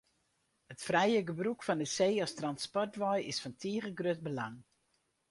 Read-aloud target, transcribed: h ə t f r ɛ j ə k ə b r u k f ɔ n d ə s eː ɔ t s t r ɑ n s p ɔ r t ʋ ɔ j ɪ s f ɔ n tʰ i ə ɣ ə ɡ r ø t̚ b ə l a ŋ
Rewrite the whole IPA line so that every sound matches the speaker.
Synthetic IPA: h ə t f r ɛ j ə ɡ ə b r u k f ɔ n d ə s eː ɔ s t r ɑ n s p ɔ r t ʋ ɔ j ɪ s f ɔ n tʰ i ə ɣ ə ɡ r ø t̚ b ə l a ŋ